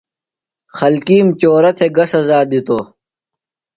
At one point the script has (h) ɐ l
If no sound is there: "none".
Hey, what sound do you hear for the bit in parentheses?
x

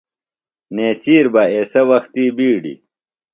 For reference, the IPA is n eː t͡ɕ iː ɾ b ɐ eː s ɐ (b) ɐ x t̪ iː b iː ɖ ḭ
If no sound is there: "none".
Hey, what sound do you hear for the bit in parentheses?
w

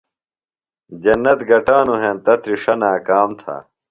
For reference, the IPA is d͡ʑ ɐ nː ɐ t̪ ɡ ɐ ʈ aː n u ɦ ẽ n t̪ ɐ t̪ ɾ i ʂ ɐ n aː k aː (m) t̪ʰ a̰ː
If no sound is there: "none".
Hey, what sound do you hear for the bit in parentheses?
m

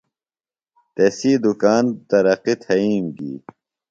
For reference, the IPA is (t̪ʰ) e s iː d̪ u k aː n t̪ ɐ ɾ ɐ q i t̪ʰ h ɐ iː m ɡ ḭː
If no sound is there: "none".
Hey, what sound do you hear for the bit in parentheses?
t̪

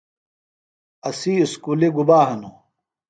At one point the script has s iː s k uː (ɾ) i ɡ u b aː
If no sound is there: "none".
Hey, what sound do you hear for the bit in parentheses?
l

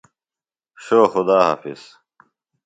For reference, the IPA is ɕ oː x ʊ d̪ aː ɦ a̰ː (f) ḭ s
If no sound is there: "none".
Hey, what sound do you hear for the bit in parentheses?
f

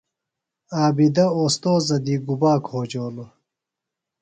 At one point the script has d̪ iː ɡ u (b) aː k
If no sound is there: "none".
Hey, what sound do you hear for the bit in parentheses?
b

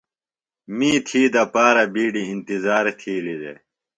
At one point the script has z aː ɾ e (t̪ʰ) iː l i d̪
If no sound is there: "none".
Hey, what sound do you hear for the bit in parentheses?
t̪ʰ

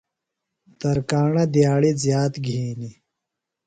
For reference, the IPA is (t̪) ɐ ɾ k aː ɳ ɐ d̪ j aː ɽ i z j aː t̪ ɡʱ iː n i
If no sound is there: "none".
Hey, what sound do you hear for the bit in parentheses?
t̪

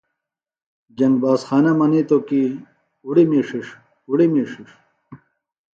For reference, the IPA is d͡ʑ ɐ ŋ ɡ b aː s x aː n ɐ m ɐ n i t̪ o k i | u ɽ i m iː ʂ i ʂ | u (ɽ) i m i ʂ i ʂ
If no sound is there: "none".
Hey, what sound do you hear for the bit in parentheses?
ɽ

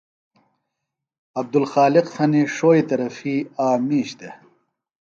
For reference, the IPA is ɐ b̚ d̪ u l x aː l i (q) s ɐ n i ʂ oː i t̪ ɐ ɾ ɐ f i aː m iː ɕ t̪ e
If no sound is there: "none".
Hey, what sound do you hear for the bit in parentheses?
q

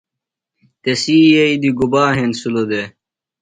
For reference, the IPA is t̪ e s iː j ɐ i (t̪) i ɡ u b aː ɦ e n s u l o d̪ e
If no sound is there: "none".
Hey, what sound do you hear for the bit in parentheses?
d̪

